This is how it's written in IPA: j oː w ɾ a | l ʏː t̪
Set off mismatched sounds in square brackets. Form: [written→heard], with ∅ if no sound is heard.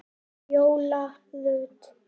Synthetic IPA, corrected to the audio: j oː w [ɾ→l] a | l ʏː t̪